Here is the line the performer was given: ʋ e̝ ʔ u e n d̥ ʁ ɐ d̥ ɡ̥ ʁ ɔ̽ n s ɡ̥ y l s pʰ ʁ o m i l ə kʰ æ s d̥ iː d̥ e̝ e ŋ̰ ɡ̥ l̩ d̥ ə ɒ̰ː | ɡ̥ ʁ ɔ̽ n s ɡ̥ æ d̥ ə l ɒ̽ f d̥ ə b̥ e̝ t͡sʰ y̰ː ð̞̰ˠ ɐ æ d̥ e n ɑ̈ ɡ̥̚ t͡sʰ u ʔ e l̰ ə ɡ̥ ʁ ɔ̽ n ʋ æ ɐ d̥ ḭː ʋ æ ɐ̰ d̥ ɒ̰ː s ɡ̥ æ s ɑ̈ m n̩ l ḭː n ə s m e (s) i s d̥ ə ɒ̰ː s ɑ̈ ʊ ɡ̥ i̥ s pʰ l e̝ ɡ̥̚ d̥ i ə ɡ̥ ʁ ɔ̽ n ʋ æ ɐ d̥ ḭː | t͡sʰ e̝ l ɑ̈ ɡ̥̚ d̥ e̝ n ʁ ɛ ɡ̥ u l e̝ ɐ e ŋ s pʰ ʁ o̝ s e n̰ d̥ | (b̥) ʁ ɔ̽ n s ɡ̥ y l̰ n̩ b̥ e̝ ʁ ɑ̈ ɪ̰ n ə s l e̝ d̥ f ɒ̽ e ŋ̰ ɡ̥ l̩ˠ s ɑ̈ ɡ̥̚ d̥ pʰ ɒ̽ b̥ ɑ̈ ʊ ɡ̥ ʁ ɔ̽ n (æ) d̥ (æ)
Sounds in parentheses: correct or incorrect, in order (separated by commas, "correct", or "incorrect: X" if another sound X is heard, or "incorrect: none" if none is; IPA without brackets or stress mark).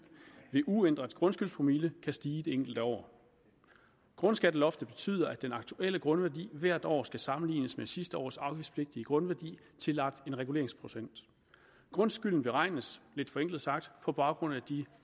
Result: correct, incorrect: ɡ̥, correct, incorrect: i